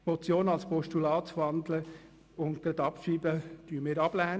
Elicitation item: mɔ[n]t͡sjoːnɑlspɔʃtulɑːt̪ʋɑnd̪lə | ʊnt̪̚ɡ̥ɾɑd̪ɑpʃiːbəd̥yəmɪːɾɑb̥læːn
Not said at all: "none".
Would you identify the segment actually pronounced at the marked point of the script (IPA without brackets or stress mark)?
none